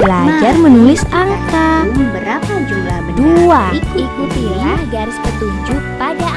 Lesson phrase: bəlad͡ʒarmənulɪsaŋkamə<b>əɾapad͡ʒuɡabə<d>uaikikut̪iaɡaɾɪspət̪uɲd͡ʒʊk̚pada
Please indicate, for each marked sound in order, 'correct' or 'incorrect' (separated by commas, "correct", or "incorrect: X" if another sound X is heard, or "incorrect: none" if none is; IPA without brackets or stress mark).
correct, correct